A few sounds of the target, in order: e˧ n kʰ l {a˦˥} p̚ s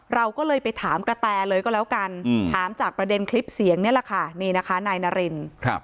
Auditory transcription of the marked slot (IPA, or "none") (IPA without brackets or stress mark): i˦˥